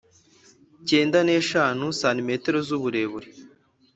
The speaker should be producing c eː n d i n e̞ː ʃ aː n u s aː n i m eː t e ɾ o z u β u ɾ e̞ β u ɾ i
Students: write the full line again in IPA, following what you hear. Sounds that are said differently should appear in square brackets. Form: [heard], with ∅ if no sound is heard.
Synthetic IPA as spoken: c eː n d [a] n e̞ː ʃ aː n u s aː n i m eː t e ɾ o z u β u ɾ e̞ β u ɾ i